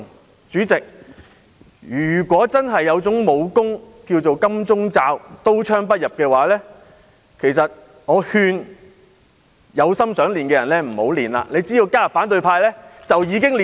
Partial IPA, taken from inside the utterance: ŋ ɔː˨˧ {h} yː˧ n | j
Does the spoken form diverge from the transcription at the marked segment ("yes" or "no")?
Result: no